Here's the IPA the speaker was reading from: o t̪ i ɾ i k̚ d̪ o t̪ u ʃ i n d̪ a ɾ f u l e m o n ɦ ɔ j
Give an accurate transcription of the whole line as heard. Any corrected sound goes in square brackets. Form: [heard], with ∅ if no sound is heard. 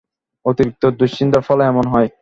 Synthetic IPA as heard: o t̪ i ɾ i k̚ [t̪] o [d̪] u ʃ i n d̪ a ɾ f [ɔ] l [ɛ] m o n ɦ ɔ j